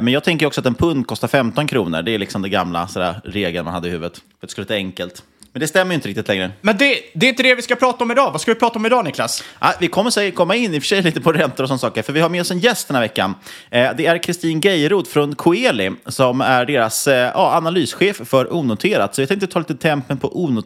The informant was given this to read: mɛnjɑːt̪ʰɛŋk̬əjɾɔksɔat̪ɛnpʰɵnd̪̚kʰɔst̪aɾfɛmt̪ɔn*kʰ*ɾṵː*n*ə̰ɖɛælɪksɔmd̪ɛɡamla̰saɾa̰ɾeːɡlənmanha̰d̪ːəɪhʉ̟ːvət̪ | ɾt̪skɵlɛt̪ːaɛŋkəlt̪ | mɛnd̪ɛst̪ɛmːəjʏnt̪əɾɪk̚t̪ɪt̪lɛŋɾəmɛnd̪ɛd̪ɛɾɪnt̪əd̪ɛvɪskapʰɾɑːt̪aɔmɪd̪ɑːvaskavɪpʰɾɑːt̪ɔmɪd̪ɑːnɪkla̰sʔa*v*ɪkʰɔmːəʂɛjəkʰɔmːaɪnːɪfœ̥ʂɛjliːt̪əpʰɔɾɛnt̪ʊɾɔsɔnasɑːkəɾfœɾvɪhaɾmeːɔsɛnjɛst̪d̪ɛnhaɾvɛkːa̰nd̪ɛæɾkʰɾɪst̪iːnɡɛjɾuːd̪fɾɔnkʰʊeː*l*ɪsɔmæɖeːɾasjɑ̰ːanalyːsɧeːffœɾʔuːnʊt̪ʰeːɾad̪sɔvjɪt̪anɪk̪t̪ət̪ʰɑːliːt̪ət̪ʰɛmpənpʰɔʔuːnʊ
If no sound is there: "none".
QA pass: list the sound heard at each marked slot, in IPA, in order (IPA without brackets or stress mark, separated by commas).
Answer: kʰ, n, v, l